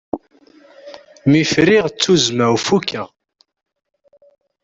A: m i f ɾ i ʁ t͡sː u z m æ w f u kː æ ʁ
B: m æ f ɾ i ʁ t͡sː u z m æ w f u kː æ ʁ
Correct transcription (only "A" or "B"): A